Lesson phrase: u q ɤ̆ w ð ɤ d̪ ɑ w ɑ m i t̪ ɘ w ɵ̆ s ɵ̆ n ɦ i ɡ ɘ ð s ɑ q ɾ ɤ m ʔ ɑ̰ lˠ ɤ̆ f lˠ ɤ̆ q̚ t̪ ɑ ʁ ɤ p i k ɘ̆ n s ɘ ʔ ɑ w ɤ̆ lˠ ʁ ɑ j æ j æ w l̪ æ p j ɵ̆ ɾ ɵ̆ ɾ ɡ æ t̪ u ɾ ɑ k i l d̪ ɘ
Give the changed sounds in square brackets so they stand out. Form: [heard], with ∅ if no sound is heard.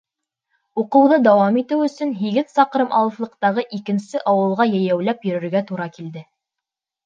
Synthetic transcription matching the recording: u q ɤ̆ w ð ɤ d̪ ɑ w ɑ m i t̪ ɘ w ɵ̆ s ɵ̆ n ɦ i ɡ ɘ ð s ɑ q ɾ ɤ m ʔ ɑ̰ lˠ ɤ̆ f lˠ ɤ̆ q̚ t̪ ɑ ʁ ɤ [ʔ] i k ɘ̆ n s ɘ ʔ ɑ w ɤ̆ lˠ ʁ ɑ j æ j æ w l̪ æ p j ɵ̆ ɾ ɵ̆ ɾ ɡ æ t̪ u ɾ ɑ k i l d̪ ɘ